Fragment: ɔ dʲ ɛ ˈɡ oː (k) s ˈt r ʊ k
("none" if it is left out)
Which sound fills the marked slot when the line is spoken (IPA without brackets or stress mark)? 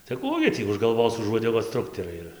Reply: none